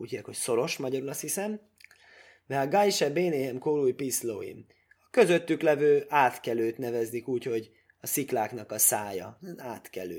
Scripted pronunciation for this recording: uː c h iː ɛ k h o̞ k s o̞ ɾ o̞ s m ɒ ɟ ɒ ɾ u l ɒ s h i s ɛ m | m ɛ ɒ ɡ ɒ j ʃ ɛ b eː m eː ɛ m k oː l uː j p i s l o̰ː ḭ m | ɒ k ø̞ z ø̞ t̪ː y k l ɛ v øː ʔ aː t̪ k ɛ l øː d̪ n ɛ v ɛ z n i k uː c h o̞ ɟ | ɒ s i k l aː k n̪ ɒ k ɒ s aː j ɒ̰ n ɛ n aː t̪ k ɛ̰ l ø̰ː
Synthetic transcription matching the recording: uː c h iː ɛ k h o̞ c s o̞ ɾ o̞ ʃ m ɒ ɟ ɒ ɾ u l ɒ s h i s ɛ m | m ɛ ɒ ɡ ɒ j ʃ ɛ b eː n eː ɛ m k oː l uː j p i s l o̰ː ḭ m | ɒ k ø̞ z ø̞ t̪ː y k l ɛ v øː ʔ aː t̪ k ɛ l øː t̪ n ɛ v ɛ z n i k uː c h o̞ ɟ | ɒ s i k l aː k n̪ ɒ k ɒ s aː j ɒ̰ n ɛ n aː t̪ k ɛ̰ l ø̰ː